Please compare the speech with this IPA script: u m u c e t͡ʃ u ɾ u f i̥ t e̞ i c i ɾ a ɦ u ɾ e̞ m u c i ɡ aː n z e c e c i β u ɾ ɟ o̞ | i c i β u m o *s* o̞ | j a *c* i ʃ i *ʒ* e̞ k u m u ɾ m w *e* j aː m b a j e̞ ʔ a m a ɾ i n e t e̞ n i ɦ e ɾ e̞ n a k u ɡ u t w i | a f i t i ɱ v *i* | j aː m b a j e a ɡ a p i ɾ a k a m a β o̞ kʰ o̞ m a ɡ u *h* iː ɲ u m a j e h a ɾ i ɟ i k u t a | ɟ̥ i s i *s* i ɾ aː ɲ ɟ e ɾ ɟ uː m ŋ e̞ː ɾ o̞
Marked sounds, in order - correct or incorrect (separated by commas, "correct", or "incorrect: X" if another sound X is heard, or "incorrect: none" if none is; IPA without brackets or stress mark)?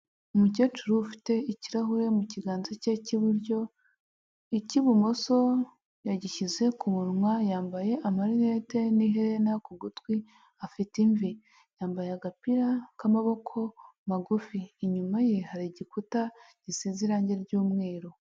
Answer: correct, incorrect: ɟ, incorrect: z, incorrect: a, correct, incorrect: f, incorrect: z